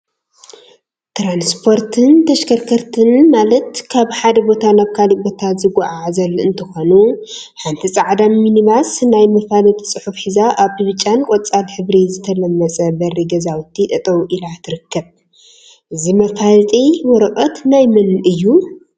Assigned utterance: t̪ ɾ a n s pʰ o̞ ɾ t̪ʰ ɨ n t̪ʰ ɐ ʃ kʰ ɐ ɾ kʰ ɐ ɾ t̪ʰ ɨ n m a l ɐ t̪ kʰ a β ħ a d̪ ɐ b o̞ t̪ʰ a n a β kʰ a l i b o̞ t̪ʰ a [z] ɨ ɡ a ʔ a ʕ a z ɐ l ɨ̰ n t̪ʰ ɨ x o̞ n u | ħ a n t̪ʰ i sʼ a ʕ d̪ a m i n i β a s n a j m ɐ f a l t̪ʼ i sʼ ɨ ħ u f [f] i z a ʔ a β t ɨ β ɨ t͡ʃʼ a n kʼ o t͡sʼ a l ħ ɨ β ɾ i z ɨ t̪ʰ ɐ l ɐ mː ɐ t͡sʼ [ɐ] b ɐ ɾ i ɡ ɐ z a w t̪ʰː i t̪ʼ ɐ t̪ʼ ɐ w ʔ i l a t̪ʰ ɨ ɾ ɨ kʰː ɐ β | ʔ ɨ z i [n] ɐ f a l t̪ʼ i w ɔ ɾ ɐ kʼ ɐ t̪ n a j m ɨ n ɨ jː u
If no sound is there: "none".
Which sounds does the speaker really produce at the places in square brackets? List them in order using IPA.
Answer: z, ħ, ɐ, m

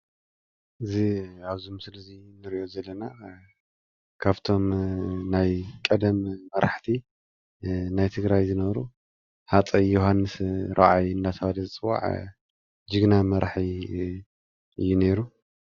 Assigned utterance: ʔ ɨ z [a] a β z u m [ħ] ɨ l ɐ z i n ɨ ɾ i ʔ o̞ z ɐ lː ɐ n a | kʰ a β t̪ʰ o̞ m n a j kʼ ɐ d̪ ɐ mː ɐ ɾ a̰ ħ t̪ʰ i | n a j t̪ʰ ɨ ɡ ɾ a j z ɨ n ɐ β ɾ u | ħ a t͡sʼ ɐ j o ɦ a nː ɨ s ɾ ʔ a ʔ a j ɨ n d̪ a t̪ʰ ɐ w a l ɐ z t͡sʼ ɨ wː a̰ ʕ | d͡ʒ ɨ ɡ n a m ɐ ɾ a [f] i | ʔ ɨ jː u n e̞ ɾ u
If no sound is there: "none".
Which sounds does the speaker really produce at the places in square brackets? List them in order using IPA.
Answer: i, s, ħ

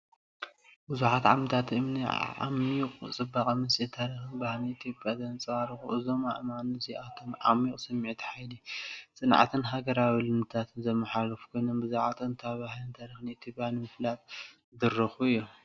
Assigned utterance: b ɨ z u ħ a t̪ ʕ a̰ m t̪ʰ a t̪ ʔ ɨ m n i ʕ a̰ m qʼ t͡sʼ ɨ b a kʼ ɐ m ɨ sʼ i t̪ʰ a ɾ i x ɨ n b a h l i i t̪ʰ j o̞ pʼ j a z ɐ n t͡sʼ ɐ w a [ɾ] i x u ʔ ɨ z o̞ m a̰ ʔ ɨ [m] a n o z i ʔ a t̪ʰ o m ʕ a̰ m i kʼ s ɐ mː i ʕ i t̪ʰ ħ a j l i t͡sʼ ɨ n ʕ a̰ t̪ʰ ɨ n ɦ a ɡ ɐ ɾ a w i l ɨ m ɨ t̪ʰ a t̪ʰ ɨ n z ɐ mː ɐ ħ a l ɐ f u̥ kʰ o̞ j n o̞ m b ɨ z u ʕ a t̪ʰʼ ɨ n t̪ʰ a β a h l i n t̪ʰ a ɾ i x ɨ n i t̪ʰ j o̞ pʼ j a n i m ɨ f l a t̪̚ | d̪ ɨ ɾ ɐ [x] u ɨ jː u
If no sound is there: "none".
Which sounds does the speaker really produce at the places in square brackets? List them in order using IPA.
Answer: ɾ, m, x

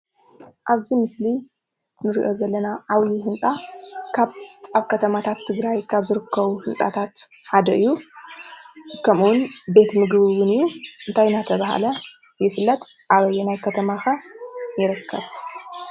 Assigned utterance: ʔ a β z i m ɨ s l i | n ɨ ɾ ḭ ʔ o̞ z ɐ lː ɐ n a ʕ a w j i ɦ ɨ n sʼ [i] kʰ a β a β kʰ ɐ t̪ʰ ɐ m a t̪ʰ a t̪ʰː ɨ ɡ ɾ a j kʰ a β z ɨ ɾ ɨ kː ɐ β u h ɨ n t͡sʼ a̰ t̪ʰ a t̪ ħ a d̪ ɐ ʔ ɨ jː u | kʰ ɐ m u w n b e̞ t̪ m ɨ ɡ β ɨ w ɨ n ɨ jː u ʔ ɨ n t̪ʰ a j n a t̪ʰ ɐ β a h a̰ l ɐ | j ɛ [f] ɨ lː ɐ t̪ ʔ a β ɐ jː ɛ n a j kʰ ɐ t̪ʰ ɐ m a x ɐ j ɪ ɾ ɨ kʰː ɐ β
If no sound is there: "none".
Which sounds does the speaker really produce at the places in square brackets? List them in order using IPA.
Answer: a, f

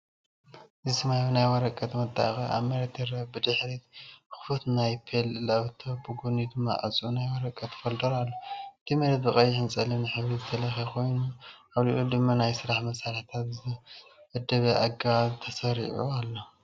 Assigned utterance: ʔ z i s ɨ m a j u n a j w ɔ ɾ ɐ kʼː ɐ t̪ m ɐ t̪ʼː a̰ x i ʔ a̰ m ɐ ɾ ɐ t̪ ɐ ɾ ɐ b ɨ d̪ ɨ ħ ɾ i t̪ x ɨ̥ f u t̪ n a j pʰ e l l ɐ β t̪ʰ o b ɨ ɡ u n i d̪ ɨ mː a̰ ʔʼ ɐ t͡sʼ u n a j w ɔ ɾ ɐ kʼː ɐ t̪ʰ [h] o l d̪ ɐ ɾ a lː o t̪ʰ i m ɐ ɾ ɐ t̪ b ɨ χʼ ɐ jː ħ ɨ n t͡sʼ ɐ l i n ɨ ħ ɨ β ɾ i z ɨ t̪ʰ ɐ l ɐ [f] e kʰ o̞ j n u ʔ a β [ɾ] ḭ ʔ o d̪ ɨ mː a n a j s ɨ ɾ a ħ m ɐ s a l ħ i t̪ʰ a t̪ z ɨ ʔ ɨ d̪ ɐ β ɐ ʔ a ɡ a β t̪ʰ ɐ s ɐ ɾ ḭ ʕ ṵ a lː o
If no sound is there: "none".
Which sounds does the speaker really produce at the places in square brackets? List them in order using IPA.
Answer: f, x, l

